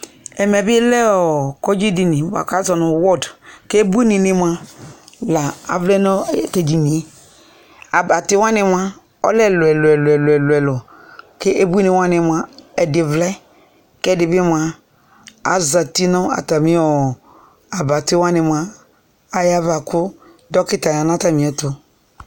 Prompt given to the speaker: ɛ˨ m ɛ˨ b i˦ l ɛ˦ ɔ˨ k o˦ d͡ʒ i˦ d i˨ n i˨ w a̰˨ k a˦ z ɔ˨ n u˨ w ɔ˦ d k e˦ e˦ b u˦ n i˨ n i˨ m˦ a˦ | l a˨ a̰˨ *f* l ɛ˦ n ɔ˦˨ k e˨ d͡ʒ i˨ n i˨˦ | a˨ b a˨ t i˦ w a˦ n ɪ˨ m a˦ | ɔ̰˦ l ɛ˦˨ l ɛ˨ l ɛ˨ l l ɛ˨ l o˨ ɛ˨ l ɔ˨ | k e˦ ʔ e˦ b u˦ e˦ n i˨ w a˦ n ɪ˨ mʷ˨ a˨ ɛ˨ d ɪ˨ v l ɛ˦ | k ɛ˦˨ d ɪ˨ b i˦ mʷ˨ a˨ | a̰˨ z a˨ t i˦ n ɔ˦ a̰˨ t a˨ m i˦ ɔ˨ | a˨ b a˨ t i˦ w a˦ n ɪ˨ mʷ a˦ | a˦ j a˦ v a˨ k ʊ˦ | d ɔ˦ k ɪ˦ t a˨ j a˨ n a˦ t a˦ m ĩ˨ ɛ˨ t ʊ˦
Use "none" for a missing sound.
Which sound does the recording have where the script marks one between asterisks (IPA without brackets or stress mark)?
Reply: v